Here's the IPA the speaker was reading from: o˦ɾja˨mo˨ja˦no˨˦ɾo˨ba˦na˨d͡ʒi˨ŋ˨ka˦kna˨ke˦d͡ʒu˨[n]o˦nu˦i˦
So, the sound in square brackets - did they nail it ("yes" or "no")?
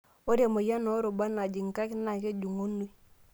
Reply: no